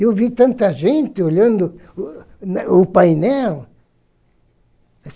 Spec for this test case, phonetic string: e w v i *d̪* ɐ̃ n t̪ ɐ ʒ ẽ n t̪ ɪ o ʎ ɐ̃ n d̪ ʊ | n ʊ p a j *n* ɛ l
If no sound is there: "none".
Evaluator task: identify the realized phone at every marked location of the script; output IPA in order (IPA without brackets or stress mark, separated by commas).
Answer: t̪, n